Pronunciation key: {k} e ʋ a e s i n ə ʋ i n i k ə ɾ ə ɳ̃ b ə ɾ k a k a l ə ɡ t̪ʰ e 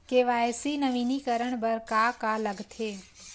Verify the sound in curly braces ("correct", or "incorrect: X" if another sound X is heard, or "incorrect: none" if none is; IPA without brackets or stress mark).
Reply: correct